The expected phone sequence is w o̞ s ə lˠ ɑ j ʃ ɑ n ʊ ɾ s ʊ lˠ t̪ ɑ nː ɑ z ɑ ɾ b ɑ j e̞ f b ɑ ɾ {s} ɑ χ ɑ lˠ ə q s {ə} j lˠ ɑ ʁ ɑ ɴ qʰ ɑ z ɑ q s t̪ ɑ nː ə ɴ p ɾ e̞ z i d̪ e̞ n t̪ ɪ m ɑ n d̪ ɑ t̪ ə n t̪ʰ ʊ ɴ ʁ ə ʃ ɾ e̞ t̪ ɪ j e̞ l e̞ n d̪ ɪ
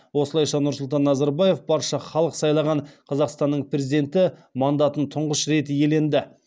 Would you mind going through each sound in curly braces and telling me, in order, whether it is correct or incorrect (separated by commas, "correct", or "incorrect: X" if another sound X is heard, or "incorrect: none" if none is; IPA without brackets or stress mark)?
incorrect: ʃ, incorrect: ɑ